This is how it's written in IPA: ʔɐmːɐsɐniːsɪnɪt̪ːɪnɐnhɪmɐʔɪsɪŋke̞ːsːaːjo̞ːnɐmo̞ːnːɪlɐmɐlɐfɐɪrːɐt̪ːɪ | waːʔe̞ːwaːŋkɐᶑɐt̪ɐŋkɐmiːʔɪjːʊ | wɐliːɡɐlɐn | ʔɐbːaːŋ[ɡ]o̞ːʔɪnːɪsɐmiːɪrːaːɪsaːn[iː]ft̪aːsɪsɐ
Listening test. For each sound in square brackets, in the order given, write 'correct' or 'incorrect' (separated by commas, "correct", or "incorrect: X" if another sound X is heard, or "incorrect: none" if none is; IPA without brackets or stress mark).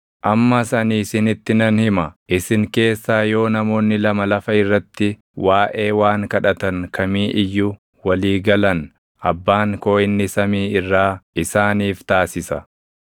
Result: incorrect: k, correct